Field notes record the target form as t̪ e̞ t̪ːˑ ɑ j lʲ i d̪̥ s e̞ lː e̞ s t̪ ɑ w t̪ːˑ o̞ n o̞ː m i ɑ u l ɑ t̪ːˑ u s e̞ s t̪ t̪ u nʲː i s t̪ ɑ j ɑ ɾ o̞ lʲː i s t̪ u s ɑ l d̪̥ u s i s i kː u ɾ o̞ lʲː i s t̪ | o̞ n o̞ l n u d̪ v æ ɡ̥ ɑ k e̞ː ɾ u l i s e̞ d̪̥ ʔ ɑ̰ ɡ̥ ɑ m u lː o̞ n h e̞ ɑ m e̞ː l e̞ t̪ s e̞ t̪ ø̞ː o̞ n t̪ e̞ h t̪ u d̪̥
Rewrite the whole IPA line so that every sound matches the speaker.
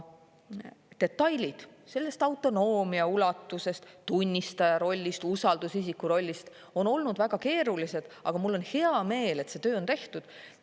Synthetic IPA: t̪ e̞ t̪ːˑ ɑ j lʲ i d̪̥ s e̞ lː e̞ s t̪ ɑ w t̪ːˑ o̞ n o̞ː m i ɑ u l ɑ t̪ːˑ u s e̞ s t̪ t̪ u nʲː i s t̪ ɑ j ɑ ɾ o̞ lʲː i s t̪ u s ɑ l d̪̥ u s i s i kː u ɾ o̞ lʲː i s t̪ | o̞ n o̞ l n u d̪ v æ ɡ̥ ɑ k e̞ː ɾ u l i s e̞ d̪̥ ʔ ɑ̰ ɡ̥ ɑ m u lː o̞ n h e̞ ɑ m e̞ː l e̞ t̪ s e̞ t̪ ø̞ː o̞ n t̪ e̞ h t̪ u d̪̥